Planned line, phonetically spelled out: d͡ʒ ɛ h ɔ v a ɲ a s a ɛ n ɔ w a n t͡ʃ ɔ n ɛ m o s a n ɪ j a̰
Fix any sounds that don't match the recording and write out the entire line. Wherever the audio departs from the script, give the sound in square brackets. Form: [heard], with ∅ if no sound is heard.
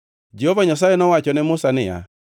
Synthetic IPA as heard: d͡ʒ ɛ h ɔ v a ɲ a s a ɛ n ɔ w a [∅] t͡ʃ ɔ n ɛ m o s a n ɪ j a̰